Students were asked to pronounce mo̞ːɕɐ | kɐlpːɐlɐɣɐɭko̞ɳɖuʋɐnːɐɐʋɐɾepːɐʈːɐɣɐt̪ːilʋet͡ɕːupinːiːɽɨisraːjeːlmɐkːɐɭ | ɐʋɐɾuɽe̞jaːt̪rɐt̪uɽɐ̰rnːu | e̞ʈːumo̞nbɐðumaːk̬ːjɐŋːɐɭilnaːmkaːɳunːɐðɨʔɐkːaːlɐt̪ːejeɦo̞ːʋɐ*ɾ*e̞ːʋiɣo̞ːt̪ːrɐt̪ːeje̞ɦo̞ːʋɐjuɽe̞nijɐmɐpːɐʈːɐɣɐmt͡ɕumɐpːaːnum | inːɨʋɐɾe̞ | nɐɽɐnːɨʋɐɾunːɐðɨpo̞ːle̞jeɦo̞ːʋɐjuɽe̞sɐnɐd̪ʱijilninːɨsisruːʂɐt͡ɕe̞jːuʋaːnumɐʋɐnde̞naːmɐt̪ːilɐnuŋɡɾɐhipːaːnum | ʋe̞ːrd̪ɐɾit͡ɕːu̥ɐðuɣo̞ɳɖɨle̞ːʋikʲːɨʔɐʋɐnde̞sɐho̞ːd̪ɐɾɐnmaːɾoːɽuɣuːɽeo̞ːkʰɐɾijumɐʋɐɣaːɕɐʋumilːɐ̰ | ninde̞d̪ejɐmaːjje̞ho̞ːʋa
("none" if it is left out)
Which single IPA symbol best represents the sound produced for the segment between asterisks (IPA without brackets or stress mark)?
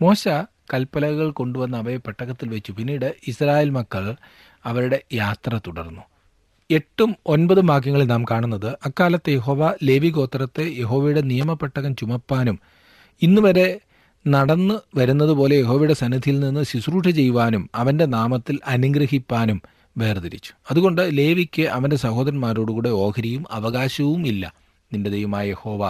l